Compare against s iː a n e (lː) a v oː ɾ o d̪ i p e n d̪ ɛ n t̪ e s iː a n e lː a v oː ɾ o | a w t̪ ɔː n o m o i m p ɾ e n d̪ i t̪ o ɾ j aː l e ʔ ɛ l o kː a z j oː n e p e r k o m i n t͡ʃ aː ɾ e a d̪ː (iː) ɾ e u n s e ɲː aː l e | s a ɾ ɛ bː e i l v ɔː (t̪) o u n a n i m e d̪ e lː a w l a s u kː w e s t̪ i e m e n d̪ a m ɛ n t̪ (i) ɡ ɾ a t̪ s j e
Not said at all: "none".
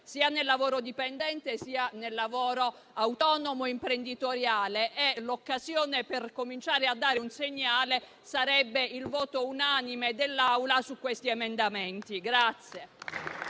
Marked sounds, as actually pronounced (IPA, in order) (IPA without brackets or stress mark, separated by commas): lː, aː, t̪, i